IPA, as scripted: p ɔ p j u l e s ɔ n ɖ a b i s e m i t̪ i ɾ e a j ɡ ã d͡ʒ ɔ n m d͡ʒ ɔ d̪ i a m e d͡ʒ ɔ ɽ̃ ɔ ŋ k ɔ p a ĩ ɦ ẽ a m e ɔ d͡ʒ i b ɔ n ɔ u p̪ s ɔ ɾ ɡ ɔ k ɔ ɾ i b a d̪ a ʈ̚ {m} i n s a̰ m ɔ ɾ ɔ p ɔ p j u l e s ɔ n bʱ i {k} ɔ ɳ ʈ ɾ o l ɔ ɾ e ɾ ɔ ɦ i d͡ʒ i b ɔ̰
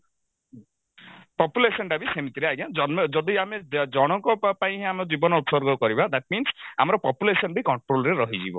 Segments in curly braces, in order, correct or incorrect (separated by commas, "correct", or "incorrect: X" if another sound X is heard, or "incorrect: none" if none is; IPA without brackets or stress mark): correct, correct